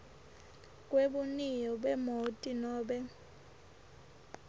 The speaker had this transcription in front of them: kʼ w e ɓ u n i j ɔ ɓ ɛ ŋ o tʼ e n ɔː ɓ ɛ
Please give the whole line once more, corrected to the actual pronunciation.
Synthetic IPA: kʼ w e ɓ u n i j ɔ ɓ ɛ m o tʼ i n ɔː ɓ ɛ